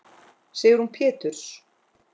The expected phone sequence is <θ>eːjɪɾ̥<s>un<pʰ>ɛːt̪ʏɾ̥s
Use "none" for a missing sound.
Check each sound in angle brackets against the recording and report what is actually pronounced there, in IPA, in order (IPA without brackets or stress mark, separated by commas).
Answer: s, h, pʰ